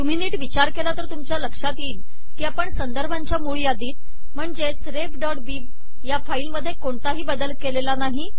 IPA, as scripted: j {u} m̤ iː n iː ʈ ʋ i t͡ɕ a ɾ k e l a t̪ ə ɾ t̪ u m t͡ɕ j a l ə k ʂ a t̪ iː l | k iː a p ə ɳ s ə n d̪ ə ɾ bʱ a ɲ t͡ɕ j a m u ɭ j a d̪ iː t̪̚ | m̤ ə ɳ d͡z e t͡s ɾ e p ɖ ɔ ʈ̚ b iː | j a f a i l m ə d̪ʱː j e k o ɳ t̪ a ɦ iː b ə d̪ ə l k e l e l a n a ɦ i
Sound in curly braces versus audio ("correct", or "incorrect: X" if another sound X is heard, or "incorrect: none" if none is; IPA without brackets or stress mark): correct